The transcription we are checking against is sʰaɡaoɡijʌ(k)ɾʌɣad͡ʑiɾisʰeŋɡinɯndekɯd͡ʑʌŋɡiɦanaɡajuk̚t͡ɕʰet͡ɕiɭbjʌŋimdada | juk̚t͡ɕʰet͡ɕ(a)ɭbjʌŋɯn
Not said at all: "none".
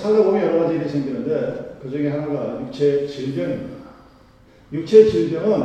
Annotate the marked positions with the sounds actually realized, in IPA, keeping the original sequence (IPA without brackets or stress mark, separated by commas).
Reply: none, i